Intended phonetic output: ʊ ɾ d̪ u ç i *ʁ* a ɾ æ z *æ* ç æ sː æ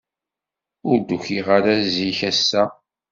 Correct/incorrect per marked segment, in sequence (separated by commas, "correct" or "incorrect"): correct, incorrect